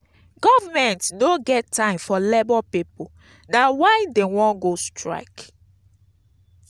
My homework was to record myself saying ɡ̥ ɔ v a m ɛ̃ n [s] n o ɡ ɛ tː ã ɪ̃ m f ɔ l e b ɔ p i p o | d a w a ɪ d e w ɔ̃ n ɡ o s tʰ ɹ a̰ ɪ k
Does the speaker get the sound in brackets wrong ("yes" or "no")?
yes